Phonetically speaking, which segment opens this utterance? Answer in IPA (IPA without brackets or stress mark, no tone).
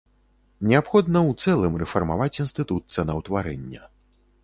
nʲ